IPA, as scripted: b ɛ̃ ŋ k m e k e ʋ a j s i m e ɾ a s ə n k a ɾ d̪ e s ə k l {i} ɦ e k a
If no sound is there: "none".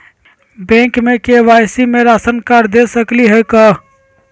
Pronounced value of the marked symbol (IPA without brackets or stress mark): i